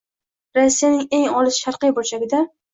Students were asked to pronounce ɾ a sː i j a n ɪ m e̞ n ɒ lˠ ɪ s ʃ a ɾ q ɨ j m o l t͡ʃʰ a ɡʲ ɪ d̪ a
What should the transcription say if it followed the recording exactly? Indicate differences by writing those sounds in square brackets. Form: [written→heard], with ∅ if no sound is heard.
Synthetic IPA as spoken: ɾ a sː i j a n ɪ [m→ŋ] e̞ [n→ŋ] ɒ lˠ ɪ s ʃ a ɾ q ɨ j [m→b] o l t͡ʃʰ a ɡʲ ɪ d̪ a